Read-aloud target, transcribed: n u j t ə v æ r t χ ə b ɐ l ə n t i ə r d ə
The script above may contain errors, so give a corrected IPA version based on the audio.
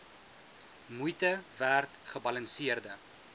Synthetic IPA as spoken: m u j t ə v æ r t χ ə b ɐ l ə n s i ə r d ə